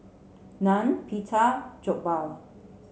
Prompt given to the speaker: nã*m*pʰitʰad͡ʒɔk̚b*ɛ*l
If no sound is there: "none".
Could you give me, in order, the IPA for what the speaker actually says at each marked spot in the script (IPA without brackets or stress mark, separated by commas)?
n, a